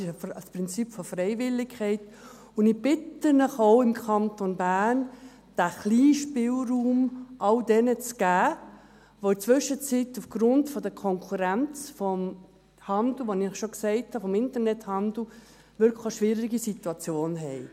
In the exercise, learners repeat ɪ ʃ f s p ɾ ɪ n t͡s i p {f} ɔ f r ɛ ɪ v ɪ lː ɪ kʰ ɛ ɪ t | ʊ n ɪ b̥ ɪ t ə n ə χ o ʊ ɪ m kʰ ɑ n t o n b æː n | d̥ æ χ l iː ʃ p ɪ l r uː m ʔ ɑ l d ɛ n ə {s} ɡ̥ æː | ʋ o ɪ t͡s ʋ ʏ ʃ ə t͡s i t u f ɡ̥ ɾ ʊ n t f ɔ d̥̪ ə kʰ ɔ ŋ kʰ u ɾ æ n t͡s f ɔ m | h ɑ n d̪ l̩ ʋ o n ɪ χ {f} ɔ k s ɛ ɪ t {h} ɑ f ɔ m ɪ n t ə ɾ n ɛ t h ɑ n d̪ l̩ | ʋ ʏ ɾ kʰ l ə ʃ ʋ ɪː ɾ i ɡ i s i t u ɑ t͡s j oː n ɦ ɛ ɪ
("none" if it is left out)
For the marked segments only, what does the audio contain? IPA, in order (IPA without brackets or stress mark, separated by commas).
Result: f, t͡s, ʃ, h